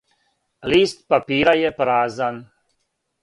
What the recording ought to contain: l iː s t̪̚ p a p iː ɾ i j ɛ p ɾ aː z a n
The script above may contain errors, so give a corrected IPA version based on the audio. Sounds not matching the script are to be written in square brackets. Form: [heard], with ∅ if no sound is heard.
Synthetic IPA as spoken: l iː s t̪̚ p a p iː ɾ [a] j ɛ p ɾ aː z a n